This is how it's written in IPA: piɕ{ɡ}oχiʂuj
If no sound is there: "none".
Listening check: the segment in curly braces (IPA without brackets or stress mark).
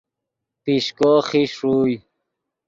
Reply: k